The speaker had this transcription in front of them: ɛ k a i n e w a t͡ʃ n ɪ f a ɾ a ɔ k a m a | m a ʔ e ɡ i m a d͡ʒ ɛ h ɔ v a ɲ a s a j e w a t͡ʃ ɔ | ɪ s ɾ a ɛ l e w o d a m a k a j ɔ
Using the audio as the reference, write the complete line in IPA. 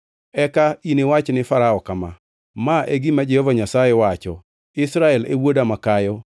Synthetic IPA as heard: ɛ k a i n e w a t͡ʃ n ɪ f a ɾ a ɔ k a m a | m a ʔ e ɡ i m a d͡ʒ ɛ h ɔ v a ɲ a s a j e w a t͡ʃ ɔ | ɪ s ɾ a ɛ l e w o d a m a k a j ɔ